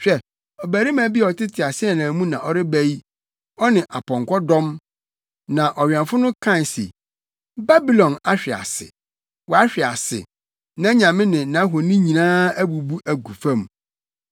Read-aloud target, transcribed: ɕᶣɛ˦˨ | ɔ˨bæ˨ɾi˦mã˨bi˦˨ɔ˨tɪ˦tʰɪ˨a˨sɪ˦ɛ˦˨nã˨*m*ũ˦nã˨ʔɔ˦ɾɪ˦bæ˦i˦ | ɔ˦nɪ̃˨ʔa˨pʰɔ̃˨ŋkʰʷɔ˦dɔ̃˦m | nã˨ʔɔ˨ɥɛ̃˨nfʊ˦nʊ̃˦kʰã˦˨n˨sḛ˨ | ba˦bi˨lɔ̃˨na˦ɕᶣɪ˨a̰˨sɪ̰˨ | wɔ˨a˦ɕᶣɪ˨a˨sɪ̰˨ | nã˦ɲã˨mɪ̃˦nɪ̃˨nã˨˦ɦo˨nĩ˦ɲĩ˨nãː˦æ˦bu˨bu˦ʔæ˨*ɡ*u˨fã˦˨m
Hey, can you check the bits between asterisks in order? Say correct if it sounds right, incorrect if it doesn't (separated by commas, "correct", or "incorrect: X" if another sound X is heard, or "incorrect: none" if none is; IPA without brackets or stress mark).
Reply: correct, correct